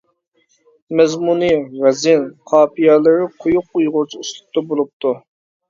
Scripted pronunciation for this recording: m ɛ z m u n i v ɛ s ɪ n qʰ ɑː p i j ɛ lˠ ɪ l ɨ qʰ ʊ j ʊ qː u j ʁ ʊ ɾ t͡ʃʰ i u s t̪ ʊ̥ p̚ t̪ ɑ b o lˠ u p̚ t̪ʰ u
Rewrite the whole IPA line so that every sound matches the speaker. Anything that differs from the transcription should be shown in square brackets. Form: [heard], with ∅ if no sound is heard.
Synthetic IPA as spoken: m ɛ z m u n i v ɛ [z] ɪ n qʰ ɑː p i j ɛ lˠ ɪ [ɾ] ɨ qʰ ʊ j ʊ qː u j ʁ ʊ ɾ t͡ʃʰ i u s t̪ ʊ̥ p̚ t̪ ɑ b o lˠ u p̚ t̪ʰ u

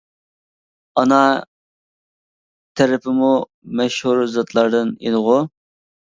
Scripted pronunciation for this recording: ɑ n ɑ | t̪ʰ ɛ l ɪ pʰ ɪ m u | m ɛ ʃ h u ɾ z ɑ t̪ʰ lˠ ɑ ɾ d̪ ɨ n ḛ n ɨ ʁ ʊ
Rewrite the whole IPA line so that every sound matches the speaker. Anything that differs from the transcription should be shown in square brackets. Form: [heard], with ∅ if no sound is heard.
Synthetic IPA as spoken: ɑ n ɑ | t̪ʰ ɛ [ɾ] ɪ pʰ ɪ m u | m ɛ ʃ h u ɾ z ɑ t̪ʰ lˠ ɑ ɾ d̪ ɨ n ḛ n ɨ ʁ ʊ

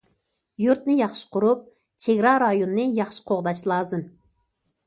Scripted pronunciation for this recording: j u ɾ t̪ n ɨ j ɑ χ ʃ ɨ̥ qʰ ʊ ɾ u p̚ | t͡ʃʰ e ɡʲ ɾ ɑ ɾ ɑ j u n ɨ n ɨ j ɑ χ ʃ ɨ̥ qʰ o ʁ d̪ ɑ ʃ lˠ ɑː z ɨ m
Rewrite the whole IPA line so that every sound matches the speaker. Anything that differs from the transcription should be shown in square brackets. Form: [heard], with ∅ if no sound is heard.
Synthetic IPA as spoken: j u ɾ t̪ n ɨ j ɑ χ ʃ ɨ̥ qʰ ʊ ɾ u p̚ | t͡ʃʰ e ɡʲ ɾ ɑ ɾ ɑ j [o] n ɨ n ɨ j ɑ χ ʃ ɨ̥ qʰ o ʁ d̪ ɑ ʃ lˠ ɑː z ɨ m

